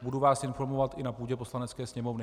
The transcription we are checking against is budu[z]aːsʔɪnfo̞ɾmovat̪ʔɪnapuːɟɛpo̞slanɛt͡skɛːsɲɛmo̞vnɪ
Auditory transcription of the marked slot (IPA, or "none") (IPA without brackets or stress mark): v